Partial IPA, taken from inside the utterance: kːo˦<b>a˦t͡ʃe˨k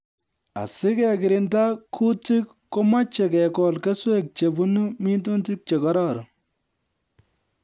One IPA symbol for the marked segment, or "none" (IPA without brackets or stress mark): m